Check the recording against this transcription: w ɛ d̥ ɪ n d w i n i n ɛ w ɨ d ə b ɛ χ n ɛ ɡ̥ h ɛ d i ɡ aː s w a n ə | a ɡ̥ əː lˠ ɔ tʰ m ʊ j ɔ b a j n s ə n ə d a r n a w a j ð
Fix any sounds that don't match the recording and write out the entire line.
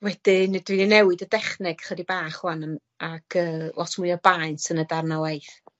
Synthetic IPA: w ɛ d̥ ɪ n d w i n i n ɛ w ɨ d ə d ɛ χ n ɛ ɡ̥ χ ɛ d i b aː χ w a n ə | a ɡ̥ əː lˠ ɔ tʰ m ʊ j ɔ b a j n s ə n ə d a r n a w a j θ